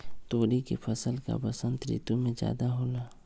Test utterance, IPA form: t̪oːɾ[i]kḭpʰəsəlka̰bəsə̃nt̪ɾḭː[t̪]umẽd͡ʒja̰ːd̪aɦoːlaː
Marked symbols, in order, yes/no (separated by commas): yes, yes